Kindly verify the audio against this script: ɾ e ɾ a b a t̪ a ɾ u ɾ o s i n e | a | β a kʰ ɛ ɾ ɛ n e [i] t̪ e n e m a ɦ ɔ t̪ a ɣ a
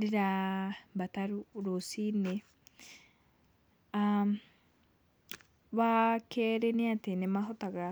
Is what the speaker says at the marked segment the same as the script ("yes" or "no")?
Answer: no